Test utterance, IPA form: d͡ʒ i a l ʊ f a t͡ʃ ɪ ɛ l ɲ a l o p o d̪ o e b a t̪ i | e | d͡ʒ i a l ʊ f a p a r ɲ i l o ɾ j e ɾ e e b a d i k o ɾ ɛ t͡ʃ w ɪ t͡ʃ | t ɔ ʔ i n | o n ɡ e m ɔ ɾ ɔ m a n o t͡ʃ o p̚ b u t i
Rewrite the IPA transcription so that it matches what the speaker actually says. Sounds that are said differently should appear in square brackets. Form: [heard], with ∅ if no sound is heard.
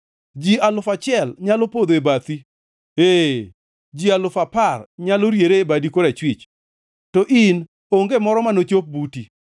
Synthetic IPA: d͡ʒ i a l ʊ f a t͡ʃ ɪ ɛ l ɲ a l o p o d̪ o e b a t̪ i | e | d͡ʒ i a l ʊ f a p a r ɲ [a] l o ɾ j e ɾ e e b a d i k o ɾ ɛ t͡ʃ w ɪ t͡ʃ | t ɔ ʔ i n | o [ŋ] ɡ e m ɔ ɾ ɔ m a n o t͡ʃ o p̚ b u t i